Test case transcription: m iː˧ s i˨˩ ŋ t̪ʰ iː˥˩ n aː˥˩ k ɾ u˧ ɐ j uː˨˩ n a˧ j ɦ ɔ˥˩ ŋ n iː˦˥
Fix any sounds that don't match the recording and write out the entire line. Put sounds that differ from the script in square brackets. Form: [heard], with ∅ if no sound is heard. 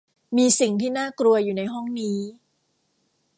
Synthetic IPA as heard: m iː˧ s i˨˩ ŋ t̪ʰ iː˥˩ n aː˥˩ k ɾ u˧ ɐ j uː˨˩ n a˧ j ɦ ɔ˥˩ ŋ n iː˦˥